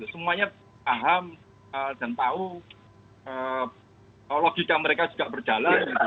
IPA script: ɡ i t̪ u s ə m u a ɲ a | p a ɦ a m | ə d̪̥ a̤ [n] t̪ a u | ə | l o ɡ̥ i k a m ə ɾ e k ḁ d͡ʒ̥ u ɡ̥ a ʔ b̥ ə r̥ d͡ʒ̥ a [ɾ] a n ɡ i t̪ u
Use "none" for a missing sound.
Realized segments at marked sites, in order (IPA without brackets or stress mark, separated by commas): n, l